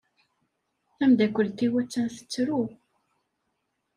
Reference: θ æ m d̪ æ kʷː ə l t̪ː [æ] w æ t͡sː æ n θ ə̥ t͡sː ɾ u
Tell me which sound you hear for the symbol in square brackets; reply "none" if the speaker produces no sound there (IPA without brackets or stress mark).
i